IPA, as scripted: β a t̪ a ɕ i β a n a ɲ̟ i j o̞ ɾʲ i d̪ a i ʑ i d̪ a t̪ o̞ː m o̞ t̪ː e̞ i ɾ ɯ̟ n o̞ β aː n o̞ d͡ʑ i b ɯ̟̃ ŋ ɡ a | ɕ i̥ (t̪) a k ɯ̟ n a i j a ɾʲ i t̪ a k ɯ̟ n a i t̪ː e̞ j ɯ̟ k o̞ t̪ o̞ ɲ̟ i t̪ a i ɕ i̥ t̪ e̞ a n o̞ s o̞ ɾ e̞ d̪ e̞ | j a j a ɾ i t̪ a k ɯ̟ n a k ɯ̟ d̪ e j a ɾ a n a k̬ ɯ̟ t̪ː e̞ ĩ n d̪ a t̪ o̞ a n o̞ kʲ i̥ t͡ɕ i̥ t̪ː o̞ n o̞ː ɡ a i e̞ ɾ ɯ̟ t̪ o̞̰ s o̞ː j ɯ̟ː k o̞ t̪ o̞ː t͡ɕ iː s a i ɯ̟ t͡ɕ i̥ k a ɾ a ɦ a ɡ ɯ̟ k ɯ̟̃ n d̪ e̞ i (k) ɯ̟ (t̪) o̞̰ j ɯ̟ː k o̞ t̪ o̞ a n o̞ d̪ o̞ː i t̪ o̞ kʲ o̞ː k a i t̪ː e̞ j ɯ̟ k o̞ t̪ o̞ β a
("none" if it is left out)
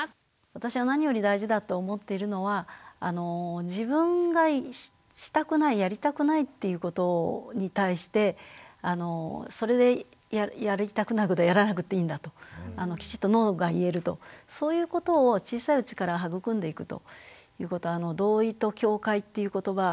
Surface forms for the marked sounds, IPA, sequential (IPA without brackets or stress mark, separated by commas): t̪, k, t̪